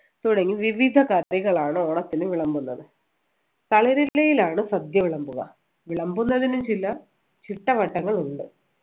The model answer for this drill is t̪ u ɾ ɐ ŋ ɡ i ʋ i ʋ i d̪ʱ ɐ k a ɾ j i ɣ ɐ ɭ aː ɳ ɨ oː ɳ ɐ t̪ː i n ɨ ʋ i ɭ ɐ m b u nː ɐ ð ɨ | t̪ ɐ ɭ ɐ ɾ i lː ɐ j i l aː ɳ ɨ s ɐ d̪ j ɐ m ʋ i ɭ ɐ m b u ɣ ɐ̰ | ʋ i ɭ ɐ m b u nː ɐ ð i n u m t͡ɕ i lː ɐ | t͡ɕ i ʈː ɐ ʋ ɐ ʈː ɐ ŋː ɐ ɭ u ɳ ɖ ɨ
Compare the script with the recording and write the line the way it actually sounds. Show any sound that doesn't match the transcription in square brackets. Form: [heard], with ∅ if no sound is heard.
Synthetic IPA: t̪ u [ɽ] ɐ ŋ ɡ i ʋ i ʋ i d̪ʱ ɐ k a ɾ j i ɣ ɐ ɭ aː ɳ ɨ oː ɳ ɐ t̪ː i n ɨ ʋ i ɭ ɐ m b u nː ɐ ð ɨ | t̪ ɐ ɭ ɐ ɾ i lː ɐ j i l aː ɳ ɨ s ɐ d̪ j ɐ [∅] ʋ i ɭ ɐ m b u ɣ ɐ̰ | ʋ i ɭ ɐ m b u nː ɐ ð i n u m t͡ɕ i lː ɐ | t͡ɕ i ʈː ɐ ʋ ɐ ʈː ɐ ŋː ɐ ɭ u ɳ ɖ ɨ